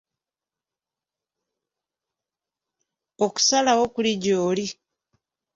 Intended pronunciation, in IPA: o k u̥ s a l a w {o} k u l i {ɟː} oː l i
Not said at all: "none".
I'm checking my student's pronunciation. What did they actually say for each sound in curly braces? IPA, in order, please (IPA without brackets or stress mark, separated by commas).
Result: o, ɟ